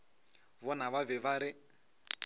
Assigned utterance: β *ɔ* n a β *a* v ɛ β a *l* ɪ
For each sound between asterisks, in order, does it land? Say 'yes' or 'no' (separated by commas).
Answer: yes, yes, no